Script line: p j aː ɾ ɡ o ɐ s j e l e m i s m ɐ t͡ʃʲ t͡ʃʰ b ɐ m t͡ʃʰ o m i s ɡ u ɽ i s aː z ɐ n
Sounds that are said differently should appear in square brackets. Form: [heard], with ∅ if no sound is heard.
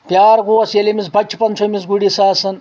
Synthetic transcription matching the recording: p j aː ɾ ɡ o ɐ s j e l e m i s [b] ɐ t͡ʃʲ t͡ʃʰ [p] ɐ [n] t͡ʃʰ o m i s ɡ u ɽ i s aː [s] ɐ n